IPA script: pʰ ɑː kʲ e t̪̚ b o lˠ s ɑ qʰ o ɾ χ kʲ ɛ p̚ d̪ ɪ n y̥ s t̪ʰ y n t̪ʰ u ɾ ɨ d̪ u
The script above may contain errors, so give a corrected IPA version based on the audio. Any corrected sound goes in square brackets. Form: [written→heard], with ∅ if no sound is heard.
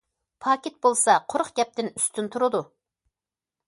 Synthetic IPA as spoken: pʰ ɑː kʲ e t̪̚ b o lˠ s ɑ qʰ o ɾ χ [kʲ→ɡʲ] ɛ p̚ [d̪→t̪] ɪ n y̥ s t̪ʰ y n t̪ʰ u ɾ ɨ d̪ u